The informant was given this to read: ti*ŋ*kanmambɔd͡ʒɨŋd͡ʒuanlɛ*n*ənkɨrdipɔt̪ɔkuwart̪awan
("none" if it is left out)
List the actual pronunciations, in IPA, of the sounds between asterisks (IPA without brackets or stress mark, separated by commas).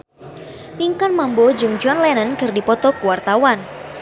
ŋ, n